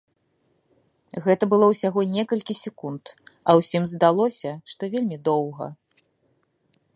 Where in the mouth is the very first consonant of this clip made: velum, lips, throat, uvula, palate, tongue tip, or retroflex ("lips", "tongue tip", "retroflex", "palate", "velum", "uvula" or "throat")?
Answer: velum